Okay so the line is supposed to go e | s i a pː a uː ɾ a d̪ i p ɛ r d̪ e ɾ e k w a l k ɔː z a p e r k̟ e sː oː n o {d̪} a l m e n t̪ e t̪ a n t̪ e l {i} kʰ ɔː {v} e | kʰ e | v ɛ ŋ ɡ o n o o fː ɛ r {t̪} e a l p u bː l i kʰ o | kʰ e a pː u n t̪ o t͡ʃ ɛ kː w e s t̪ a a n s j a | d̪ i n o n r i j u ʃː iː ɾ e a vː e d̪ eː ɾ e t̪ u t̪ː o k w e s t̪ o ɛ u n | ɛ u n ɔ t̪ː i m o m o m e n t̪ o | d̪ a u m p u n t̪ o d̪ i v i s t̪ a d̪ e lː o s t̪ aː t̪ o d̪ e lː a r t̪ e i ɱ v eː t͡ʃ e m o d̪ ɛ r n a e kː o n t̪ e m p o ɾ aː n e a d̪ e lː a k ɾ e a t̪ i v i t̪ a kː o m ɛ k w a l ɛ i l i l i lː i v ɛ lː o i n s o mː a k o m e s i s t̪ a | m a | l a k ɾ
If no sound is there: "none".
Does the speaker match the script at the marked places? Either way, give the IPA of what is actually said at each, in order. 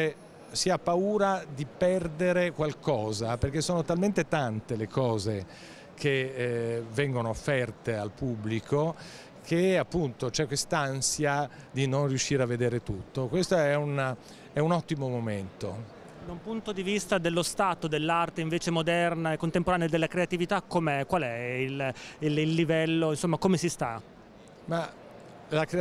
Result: t̪, e, z, t̪

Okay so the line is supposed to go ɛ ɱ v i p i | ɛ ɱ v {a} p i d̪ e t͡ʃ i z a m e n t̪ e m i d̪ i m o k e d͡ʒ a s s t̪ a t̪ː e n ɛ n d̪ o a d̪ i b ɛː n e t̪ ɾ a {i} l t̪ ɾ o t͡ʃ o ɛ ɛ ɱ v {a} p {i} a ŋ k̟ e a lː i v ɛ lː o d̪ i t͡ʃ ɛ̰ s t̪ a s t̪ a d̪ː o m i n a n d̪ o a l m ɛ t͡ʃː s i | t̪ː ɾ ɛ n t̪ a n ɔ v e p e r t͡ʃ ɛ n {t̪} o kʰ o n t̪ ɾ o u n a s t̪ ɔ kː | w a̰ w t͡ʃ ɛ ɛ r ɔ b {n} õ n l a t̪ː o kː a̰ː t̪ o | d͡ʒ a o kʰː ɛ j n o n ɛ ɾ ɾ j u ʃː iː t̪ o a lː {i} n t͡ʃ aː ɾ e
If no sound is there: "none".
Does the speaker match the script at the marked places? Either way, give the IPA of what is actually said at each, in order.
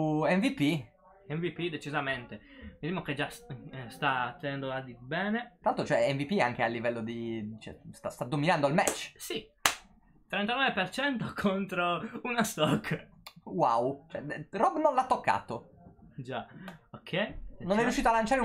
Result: i, a, i, i, t̪, n, a

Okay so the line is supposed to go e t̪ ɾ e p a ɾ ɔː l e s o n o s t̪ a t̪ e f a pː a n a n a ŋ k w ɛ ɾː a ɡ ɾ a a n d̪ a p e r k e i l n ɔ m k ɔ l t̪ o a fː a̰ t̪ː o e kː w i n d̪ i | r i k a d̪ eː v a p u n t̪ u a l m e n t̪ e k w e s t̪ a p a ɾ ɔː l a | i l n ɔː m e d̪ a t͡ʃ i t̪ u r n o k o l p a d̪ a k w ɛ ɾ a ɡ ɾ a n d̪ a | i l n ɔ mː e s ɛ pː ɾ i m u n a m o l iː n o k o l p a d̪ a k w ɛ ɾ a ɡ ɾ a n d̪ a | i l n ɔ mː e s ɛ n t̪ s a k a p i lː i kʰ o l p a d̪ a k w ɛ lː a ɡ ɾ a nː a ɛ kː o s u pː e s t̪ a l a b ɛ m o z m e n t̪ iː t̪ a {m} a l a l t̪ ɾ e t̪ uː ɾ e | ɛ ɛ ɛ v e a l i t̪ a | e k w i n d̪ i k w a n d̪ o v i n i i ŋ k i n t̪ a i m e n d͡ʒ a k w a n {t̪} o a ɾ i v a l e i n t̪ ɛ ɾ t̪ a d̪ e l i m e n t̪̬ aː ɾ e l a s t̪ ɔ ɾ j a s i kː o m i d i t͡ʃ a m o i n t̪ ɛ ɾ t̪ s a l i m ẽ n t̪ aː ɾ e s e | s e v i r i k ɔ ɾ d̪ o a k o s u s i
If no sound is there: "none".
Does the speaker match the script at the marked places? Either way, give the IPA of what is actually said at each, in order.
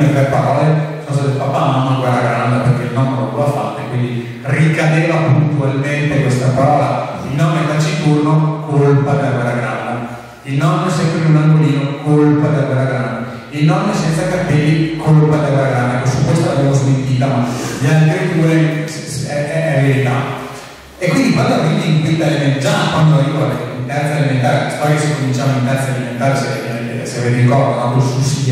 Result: m, d̪

